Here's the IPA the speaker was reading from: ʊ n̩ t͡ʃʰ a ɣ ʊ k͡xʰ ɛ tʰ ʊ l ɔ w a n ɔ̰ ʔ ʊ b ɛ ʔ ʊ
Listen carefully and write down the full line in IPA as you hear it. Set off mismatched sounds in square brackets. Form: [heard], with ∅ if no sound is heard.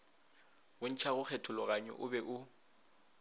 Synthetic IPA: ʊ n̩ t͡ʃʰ a ɣ ʊ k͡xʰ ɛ tʰ ʊ l ɔ [ɣ] a [ɲ] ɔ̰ ʔ ʊ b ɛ ʔ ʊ